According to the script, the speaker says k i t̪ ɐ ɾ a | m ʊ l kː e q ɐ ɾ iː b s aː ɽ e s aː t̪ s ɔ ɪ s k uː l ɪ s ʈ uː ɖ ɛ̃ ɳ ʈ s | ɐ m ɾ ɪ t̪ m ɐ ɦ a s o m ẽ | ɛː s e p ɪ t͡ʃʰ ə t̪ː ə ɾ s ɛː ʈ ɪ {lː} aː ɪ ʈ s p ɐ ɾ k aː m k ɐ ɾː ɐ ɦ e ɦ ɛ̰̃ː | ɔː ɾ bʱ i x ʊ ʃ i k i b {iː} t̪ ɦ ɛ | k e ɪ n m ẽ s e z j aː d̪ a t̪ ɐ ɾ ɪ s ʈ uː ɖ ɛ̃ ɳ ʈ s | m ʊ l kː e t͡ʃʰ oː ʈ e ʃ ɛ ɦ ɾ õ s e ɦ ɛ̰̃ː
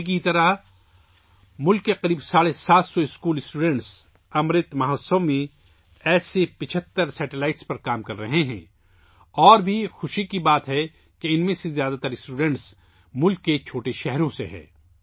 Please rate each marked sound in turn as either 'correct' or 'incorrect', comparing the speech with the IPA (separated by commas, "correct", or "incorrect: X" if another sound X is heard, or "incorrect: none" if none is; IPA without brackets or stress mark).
incorrect: l, incorrect: aː